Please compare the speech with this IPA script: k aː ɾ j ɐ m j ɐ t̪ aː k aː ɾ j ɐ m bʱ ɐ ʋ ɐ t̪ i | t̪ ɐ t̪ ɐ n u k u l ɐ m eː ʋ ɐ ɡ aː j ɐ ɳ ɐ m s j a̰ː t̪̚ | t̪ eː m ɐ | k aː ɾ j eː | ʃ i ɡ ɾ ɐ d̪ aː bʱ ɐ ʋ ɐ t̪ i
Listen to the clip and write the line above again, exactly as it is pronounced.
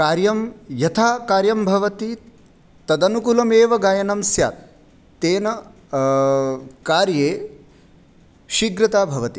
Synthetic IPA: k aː ɾ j ɐ m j ɐ t̪ʰ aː k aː ɾ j ɐ m bʱ ɐ ʋ ɐ t̪ i | t̪ ɐ d̪ ɐ n u k u l ɐ m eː ʋ ɐ ɡ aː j ɐ n ɐ m s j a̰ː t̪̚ | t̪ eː n ɐ | k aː ɾ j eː | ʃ i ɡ ɾ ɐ t̪ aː bʱ ɐ ʋ ɐ t̪ i